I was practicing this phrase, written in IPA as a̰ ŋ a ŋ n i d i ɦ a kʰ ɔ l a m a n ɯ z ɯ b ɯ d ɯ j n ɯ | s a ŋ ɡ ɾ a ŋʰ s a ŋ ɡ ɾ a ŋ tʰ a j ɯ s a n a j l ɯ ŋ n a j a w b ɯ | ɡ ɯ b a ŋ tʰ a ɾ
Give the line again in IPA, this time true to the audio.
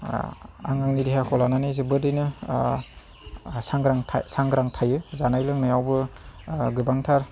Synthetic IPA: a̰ ŋ a ŋ n i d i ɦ a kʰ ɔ l a n a n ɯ z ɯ b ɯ d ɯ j n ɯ | s a ŋ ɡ ɾ a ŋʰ s a ŋ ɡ ɾ a ŋ tʰ a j ɯ z a n a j l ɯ ŋ n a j a w b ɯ | ɡ ɯ b a ŋ tʰ a ɾ